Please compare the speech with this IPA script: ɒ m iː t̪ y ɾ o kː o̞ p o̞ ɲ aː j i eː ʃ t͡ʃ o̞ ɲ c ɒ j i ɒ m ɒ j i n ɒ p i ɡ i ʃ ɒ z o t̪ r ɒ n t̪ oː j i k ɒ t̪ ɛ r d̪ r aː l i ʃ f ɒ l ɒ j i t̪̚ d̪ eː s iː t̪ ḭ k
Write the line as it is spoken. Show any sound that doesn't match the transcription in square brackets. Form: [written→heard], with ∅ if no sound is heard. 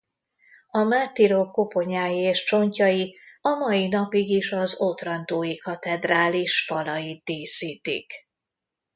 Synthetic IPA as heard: ɒ m [iː→aː] t̪ [y→i] ɾ o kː o̞ p o̞ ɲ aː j i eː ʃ t͡ʃ o̞ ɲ c ɒ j i ɒ m ɒ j i n ɒ p i ɡ i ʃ ɒ z o t̪ r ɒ n t̪ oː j i k ɒ t̪ ɛ [r→∅] d̪ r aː l i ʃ f ɒ l ɒ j i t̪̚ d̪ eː s iː t̪ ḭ k